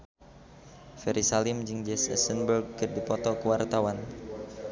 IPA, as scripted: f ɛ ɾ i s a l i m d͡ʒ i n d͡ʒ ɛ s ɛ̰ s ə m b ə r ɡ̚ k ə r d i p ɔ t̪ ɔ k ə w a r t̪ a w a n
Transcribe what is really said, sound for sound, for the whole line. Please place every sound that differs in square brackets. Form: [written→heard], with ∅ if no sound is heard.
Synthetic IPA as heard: f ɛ ɾ i s a l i m d͡ʒ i [n→ŋ] d͡ʒ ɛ s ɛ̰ s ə [m→n] b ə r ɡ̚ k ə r d i p ɔ t̪ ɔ k ə w a r t̪ a w a n